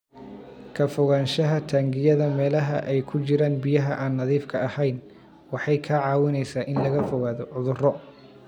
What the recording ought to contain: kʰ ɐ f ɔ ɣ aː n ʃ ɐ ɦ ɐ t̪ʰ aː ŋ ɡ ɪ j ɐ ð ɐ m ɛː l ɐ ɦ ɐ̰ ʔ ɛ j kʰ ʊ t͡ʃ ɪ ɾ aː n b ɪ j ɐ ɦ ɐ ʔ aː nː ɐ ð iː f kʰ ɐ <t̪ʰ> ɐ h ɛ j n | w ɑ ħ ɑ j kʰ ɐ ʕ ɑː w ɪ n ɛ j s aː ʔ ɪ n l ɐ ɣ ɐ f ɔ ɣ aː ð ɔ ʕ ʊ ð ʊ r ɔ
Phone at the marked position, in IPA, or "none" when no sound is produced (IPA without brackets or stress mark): none